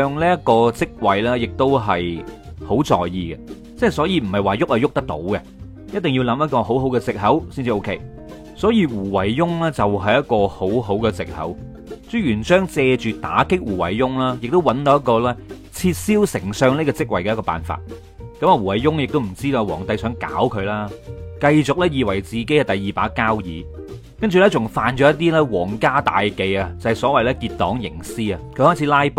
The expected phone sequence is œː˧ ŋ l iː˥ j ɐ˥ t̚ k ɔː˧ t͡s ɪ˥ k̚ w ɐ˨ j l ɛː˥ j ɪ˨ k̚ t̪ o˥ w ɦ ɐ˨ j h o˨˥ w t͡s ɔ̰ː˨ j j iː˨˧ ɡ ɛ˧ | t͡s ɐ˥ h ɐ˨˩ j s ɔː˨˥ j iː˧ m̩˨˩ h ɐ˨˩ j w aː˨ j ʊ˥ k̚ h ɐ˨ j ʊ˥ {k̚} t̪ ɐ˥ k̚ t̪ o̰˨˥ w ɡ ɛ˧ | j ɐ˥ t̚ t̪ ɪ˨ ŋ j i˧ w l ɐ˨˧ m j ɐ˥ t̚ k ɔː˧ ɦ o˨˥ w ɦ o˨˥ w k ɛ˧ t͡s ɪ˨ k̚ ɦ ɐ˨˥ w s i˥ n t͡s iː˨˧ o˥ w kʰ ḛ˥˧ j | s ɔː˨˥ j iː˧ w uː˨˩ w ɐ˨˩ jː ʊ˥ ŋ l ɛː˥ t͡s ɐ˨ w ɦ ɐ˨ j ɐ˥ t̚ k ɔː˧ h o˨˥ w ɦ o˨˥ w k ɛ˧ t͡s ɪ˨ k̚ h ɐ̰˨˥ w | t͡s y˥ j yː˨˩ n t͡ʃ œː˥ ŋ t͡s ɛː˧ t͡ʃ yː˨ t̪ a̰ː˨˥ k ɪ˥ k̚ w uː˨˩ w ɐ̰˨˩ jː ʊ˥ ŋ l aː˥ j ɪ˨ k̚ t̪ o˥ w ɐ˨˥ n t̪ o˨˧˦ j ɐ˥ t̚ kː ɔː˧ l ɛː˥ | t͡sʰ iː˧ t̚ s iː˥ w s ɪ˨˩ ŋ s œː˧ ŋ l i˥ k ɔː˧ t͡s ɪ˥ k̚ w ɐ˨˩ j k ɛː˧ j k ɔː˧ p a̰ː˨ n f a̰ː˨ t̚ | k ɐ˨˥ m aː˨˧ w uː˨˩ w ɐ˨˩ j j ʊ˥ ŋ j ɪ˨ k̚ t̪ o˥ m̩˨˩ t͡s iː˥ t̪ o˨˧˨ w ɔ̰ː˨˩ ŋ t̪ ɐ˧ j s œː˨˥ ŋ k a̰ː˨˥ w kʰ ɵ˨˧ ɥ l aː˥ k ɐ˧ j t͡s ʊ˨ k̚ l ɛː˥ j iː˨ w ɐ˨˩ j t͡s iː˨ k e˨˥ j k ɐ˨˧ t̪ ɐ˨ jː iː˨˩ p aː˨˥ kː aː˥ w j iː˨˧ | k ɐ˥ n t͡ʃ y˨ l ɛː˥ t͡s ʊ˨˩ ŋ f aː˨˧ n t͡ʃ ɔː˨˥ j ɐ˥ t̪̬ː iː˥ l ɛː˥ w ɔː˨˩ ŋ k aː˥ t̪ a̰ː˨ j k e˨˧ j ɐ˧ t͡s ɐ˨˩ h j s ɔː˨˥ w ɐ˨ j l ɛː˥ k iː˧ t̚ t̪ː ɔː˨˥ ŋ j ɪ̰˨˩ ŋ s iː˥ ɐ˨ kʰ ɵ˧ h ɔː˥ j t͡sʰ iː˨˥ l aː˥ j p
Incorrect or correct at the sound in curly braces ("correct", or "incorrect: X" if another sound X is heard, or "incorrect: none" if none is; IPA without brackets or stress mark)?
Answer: correct